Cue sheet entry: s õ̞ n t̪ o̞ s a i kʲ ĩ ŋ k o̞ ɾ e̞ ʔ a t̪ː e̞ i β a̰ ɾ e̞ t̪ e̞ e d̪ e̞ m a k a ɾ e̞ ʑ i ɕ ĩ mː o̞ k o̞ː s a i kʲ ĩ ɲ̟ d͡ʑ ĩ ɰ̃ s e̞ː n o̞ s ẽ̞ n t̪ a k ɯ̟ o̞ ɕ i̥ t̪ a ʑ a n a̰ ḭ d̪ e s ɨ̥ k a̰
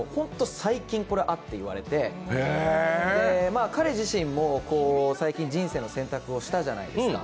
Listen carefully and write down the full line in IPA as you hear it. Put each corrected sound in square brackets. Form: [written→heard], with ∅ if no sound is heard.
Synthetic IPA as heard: [s→h] õ̞ n t̪ o̞ s a i kʲ ĩ ŋ k o̞ ɾ e̞ ʔ a t̪ː e̞ i β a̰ ɾ e̞ t̪ e̞ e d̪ e̞ m a k a ɾ e̞ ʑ i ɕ ĩ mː o̞ k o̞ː s a i kʲ ĩ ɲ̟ d͡ʑ ĩ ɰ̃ s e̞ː n o̞ s ẽ̞ n t̪ a k ɯ̟ o̞ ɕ i̥ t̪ a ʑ a n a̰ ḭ d̪ e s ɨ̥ k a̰